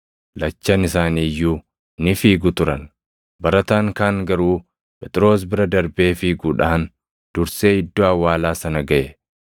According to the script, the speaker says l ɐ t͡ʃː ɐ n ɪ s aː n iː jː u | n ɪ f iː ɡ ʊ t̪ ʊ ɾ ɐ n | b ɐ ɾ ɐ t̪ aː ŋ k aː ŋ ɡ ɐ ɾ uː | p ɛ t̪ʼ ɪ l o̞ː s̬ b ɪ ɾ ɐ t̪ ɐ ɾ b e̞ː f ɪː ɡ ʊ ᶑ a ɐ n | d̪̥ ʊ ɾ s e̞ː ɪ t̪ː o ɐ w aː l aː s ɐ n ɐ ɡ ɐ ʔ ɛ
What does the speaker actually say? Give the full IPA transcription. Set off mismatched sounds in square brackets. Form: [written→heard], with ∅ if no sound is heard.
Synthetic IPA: l ɐ t͡ʃː ɐ n ɪ s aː n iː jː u | n ɪ f iː ɡ ʊ t̪ ʊ ɾ ɐ n | b ɐ ɾ ɐ t̪ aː ŋ k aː ŋ ɡ ɐ ɾ uː | p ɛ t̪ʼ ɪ [l→ɾ] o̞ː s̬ b ɪ ɾ ɐ [t̪→d̪] ɐ ɾ b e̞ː f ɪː ɡ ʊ ᶑ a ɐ n | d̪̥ ʊ ɾ s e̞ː ɪ [t̪ː→d̪ː] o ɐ w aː l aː s ɐ n ɐ ɡ ɐ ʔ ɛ